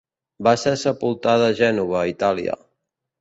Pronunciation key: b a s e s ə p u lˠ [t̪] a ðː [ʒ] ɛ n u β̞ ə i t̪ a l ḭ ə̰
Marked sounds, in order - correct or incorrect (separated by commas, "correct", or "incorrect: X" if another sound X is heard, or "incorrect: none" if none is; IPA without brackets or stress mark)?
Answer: correct, correct